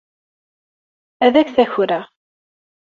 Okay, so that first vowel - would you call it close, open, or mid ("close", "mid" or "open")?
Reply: open